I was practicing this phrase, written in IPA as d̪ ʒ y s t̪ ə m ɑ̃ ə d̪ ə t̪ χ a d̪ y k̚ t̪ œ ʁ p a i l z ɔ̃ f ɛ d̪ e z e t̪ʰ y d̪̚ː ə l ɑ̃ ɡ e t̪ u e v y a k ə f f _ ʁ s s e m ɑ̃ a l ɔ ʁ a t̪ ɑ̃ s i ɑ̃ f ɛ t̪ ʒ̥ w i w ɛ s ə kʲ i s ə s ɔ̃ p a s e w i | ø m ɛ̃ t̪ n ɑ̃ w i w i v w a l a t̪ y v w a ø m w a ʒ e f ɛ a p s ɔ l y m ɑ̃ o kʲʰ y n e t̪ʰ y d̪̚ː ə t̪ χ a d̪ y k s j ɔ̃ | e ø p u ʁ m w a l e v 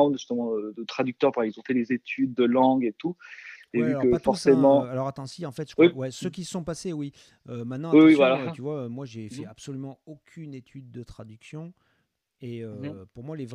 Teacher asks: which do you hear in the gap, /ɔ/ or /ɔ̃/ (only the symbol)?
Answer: ɔ